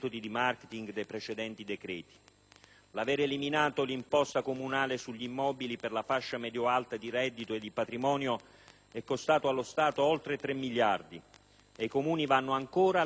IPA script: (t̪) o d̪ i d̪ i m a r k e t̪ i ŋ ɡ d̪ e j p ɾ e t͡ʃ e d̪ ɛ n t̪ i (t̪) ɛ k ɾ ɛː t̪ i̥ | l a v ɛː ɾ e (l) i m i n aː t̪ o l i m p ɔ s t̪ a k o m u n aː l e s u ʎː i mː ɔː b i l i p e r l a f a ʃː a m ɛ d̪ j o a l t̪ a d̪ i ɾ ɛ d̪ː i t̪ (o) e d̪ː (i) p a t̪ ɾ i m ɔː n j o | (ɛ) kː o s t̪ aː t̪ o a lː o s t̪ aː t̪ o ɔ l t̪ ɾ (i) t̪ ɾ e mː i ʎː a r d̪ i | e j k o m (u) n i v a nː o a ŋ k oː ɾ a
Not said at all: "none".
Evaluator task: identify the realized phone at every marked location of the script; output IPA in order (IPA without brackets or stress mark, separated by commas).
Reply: t̪, d̪, l, o, i, ɛ, e, uː